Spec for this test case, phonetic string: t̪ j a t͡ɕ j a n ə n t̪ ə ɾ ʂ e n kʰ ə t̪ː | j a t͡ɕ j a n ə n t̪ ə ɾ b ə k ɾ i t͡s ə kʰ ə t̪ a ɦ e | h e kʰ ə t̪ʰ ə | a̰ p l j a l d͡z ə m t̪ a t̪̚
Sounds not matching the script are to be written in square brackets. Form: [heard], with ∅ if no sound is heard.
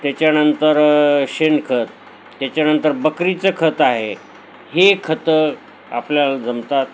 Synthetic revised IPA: t̪ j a t͡ɕ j a n ə n t̪ ə ɾ [ɕ] e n kʰ ə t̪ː | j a t͡ɕ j a n ə n t̪ ə ɾ b ə k ɾ i t͡s ə kʰ ə t̪ a ɦ e | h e kʰ ə [t̪] ə | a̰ p l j a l d͡z ə m t̪ a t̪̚